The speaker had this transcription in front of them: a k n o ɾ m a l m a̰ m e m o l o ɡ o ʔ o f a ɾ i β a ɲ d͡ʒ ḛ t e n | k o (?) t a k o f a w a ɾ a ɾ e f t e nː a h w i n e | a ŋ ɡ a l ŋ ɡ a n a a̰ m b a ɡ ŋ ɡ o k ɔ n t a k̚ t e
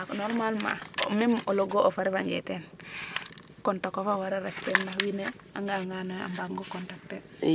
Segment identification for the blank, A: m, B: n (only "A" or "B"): B